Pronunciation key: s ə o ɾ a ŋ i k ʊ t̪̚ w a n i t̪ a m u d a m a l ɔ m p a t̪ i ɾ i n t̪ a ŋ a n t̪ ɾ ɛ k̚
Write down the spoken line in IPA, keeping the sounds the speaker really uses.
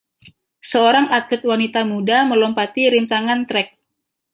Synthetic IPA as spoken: s ə o ɾ a ŋ a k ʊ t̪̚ w a n i t̪ a m u d a m ə l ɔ m p a t̪ i ɾ i n t̪ a ŋ a n t̪ ɾ ɛ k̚